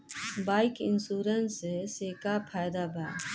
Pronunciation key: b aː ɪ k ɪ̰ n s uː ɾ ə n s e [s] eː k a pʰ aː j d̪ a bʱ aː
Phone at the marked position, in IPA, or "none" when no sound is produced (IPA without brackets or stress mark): s